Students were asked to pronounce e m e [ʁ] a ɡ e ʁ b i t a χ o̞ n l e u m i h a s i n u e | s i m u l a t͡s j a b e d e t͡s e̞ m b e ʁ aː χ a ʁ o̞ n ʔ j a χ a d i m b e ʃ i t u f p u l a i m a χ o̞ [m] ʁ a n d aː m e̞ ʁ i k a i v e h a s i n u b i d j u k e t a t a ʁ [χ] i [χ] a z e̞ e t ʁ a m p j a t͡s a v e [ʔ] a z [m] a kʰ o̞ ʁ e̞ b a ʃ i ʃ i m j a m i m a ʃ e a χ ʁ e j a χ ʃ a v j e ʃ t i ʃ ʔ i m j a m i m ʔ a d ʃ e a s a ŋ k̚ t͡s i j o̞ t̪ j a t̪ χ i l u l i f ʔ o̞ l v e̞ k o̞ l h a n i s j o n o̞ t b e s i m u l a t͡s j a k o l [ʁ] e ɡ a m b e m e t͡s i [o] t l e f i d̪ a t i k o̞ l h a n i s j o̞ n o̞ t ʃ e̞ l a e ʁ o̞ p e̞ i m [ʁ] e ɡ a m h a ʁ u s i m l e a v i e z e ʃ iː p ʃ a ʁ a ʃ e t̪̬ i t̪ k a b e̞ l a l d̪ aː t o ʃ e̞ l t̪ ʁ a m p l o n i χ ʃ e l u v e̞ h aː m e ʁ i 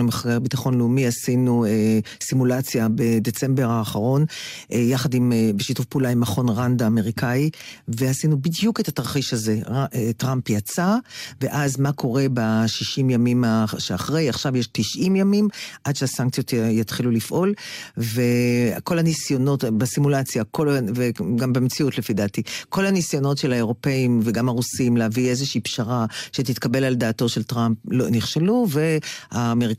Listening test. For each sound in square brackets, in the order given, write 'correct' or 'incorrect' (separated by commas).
incorrect, incorrect, correct, incorrect, correct, correct, incorrect, incorrect, incorrect